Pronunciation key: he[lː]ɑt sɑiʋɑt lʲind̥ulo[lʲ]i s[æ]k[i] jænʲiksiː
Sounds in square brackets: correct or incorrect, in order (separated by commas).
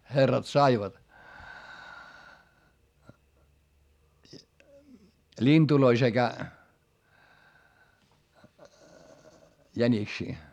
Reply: incorrect, incorrect, incorrect, incorrect